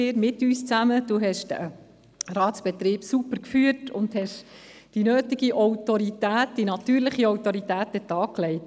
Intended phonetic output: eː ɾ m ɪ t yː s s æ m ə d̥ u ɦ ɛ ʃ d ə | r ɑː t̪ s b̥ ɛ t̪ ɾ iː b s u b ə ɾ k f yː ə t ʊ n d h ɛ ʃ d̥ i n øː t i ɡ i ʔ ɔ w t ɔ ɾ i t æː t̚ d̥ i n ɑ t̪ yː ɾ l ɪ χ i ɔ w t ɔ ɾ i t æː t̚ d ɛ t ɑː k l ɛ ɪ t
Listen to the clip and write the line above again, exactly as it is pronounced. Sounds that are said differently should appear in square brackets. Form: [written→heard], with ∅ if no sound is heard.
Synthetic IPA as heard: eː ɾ m ɪ t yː s [s→t͡s] æ m ə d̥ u ɦ ɛ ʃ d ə | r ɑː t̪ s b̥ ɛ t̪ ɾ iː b s u [b→p] ə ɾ k f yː ə t ʊ n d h ɛ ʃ d̥ i n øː t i ɡ i ʔ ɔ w t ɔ ɾ i t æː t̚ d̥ i n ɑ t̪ yː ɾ l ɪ χ i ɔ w t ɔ ɾ i t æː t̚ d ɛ t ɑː k l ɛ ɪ t

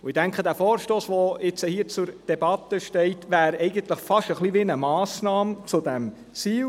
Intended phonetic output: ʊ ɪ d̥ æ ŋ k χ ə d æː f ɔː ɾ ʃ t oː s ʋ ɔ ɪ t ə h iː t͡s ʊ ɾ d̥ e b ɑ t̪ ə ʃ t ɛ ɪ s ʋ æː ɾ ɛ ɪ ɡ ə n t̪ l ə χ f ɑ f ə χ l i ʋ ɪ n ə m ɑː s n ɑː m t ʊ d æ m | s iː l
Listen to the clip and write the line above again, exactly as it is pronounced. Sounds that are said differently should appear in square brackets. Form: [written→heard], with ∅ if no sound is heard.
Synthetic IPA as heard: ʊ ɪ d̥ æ ŋ k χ ə d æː f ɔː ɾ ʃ t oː s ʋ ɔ ɪ [t→t͡s] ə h iː t͡s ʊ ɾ d̥ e b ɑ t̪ ə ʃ t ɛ ɪ [s→t] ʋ æː ɾ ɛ ɪ ɡ ə n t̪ l ə χ f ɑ [f→ʃ] ə χ l i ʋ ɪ n ə m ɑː s n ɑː m [t→t͡s] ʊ d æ m | [s→t͡s] iː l

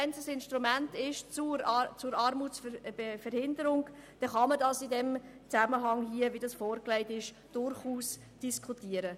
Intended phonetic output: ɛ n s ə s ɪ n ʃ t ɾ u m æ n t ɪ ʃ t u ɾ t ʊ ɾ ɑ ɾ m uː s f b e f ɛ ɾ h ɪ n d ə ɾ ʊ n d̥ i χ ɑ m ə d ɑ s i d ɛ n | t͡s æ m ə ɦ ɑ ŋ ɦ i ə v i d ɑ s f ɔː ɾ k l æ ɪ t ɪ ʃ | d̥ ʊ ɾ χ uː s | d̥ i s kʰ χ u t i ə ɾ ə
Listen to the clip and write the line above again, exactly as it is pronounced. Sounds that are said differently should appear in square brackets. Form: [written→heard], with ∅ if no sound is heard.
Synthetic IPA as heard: ɛ n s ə s ɪ n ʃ t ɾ u m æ n t ɪ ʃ [t→t͡s] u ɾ [t→t͡s] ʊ ɾ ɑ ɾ m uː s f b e f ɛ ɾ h ɪ n d ə ɾ ʊ [n→ŋ] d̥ [i→ɛ] χ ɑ m ə d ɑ s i d ɛ [n→m] | t͡s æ m ə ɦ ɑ ŋ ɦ i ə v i d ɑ s f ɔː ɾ k l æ ɪ t ɪ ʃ | d̥ ʊ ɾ χ uː s | d̥ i s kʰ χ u t i ə ɾ ə

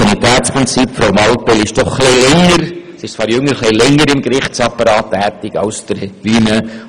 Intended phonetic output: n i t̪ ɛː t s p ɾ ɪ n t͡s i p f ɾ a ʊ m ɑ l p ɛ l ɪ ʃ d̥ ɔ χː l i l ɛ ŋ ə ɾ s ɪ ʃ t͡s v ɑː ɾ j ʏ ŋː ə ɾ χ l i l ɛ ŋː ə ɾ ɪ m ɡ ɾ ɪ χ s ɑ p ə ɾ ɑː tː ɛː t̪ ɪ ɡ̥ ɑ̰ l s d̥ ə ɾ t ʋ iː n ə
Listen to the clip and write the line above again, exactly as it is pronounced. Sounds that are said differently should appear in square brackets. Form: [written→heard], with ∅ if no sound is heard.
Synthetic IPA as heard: n i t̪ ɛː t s p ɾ ɪ n t͡s i p f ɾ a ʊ m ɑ l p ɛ l ɪ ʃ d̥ ɔ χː l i l ɛ ŋ ə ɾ s ɪ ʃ t͡s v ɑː ɾ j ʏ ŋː ə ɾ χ l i l ɛ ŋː ə ɾ ɪ m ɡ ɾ ɪ χ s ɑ p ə ɾ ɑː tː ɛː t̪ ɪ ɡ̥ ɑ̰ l s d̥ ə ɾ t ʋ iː n ə

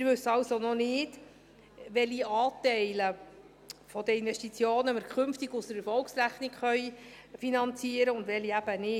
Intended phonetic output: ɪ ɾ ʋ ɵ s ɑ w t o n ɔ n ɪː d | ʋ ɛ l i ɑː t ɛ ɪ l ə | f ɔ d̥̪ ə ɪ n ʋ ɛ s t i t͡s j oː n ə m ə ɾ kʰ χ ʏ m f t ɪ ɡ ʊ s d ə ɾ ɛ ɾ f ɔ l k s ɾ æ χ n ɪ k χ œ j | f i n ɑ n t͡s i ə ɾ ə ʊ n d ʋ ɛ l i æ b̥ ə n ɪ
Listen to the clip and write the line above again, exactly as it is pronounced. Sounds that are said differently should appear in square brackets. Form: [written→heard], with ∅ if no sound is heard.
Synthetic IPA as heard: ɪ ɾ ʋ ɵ s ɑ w [t→s] o n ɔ n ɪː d | ʋ ɛ l i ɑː t ɛ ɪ l ə | f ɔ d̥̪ ə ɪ n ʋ ɛ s t i t͡s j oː n ə m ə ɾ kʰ χ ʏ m f t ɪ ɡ ʊ s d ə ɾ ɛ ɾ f ɔ l k s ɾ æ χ n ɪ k χ œ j | f i n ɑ n t͡s i ə ɾ ə ʊ n d ʋ ɛ l i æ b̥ ə n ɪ

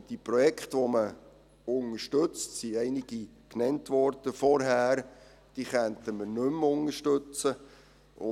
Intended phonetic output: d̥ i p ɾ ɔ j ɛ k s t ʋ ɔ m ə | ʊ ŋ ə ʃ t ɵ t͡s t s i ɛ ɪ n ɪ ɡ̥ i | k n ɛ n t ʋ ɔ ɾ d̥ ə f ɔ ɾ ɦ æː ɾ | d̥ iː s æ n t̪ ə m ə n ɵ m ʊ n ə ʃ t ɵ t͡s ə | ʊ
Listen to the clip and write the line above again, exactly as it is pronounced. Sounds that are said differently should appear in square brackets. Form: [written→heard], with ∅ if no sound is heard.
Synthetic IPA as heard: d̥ i p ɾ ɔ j ɛ k [s→χ] t ʋ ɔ m ə | ʊ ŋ ə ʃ t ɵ t͡s t s i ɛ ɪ n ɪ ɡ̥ i | k n ɛ n t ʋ ɔ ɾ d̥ ə f ɔ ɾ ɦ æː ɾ | d̥ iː [s→χ] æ n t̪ ə m ə n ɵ m ʊ n ə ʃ t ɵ t͡s ə | ʊ

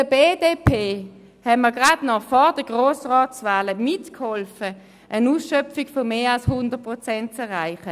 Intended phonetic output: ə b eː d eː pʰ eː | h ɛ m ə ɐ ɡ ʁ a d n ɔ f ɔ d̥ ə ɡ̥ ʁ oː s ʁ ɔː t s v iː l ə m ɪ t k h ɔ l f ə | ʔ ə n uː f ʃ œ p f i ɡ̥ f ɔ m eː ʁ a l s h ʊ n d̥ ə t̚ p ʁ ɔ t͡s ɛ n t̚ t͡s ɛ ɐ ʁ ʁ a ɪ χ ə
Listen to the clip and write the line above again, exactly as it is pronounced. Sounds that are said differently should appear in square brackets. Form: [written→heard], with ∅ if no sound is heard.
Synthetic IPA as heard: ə b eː d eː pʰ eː | h ɛ m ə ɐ ɡ ʁ a d n ɔ f ɔ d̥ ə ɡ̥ ʁ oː s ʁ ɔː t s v [iː→aː] l ə m ɪ t k h ɔ l f ə | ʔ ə n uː [f→s] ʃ œ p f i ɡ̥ f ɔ m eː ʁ a l s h ʊ n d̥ ə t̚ p ʁ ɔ t͡s ɛ n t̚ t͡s ɛ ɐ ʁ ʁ a ɪ χ ə

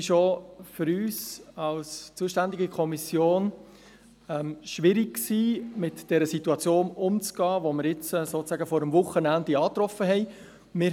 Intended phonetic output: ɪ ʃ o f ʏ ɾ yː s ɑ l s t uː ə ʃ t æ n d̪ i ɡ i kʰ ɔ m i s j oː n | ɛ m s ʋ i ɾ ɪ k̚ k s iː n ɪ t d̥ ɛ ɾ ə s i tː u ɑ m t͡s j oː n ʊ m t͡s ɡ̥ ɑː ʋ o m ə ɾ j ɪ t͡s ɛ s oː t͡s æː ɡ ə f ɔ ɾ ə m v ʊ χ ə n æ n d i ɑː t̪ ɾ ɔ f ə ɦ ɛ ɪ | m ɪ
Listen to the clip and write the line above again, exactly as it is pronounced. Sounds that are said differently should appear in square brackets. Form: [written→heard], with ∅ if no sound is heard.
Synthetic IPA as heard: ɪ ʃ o f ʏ ɾ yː s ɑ l s [t→t͡s] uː ə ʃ t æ n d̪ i ɡ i kʰ ɔ m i s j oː n | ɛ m [s→ʃ] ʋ [i→ɪ] ɾ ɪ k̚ k s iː [n→m] ɪ t d̥ ɛ ɾ ə s i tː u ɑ [m→∅] t͡s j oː n ʊ m t͡s ɡ̥ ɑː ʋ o m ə ɾ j ɪ t͡s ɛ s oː t͡s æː ɡ ə f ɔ ɾ ə m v ʊ χ ə n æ n d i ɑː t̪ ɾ ɔ f ə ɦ ɛ ɪ | m ɪ

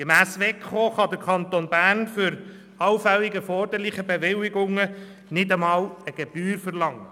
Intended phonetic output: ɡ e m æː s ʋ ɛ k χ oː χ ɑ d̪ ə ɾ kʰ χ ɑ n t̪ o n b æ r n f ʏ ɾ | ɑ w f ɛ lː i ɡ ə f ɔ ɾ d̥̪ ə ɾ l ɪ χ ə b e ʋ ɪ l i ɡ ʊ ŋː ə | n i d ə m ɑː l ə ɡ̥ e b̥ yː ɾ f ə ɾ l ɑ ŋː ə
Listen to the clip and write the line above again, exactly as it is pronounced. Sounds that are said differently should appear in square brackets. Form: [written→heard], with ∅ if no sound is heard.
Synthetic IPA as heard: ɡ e m æː s ʋ ɛ k χ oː χ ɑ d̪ ə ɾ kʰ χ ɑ n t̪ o n b æ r n f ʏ ɾ | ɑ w f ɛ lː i ɡ ə f ɔ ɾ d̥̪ ə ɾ l ɪ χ ə b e ʋ ɪ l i ɡ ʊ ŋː ə | n [i→ɪ] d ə m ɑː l ə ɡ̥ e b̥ yː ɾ f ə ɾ l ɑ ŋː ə

